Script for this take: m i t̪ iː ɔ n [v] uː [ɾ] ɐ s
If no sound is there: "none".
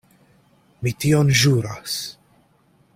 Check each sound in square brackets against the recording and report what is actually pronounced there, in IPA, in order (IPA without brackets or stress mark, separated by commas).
ʒ, ɾ